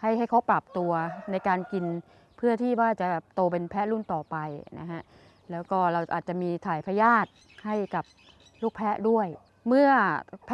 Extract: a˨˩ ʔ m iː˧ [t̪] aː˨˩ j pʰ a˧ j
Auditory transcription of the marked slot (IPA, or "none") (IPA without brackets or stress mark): t̪ʰ